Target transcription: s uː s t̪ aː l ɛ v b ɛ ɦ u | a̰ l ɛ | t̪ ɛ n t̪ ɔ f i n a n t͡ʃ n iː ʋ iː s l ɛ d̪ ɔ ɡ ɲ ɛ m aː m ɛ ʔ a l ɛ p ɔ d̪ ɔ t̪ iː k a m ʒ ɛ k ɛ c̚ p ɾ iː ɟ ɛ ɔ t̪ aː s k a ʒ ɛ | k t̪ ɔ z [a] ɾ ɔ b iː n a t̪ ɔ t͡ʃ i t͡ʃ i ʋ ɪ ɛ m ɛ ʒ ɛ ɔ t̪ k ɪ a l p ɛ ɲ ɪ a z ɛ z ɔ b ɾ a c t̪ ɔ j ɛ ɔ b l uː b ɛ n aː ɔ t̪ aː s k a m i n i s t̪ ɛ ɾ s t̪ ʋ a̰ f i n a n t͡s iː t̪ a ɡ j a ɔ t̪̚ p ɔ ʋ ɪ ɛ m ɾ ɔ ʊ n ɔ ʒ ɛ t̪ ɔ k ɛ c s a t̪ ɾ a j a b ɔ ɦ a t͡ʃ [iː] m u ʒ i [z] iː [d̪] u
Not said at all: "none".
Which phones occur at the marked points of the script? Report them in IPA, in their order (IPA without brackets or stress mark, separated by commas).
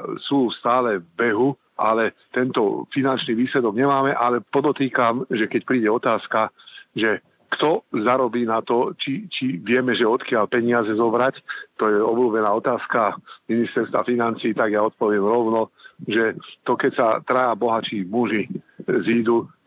a, iː, z, d̪